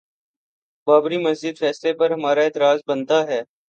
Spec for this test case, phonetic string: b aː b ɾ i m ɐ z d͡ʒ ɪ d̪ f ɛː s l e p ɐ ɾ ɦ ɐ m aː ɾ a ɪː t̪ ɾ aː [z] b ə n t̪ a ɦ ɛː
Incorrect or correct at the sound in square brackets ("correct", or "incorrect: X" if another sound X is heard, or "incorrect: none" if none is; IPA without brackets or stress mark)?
correct